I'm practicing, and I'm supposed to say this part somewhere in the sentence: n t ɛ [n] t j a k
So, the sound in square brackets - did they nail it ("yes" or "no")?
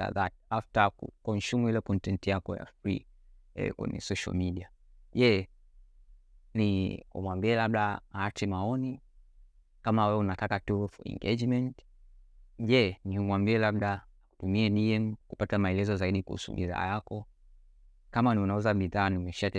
yes